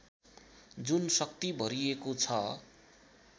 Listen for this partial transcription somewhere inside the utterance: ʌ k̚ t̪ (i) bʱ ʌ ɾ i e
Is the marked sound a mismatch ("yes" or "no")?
no